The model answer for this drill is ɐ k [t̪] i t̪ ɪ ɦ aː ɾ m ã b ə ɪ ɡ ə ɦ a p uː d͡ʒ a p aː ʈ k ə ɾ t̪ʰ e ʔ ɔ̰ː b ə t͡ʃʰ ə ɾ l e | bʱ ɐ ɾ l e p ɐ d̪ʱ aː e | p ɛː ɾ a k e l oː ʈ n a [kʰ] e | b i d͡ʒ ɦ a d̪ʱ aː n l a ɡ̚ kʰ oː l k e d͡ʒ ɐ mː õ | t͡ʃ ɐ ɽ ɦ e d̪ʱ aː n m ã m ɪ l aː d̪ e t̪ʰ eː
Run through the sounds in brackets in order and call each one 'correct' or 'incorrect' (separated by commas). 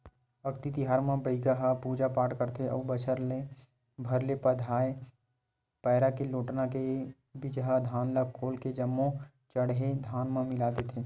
correct, incorrect